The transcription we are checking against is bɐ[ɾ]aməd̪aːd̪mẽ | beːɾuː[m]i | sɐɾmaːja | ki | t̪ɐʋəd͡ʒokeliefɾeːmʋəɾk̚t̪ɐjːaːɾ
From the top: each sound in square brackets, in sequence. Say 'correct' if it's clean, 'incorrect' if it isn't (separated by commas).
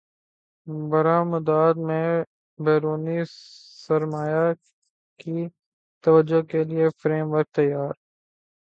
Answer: correct, incorrect